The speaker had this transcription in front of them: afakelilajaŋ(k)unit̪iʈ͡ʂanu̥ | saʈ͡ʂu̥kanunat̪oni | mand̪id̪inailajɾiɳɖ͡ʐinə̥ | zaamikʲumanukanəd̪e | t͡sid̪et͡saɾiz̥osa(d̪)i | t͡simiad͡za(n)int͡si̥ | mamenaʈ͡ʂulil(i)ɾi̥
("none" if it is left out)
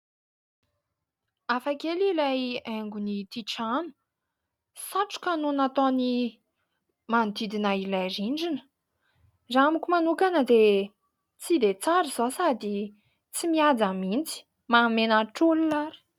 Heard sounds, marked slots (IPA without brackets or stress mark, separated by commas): ɡ, d̪, m, a